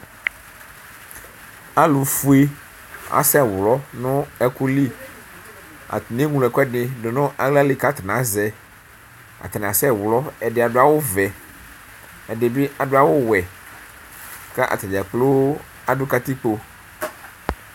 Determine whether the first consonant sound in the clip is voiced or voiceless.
voiced